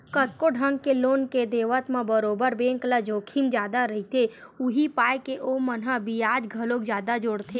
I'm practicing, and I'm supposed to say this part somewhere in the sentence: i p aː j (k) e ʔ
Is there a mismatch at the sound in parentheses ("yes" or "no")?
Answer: no